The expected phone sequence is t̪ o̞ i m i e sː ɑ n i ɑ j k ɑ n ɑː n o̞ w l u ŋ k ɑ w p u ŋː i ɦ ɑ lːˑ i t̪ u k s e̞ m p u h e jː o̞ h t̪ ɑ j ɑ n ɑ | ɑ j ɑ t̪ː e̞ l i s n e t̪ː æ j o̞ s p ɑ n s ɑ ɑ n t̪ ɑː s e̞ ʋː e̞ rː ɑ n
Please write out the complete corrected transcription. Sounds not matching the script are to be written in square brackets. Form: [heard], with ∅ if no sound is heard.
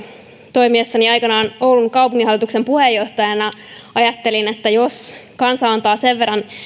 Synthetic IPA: t̪ o̞ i m i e sː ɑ n i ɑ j k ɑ n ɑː n o̞ w l u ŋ k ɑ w p u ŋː i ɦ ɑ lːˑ i t̪ u k s e̞ m p u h e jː o̞ h t̪ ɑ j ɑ n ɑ | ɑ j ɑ t̪ː e̞ l i [∅] n e t̪ː æ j o̞ s [k] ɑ n s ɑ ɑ n t̪ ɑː s e̞ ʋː e̞ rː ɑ n